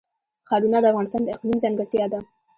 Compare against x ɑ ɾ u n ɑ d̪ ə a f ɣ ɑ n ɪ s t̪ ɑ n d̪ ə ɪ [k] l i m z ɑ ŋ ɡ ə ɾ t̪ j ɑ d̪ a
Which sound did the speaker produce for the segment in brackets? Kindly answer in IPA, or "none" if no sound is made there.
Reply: q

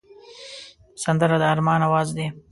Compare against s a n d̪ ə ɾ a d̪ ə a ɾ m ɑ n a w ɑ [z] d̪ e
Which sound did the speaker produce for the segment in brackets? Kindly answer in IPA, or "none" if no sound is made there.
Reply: z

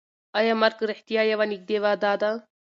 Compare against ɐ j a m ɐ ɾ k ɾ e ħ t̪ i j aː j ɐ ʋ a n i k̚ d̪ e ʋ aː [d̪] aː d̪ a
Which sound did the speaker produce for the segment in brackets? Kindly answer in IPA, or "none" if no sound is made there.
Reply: d̪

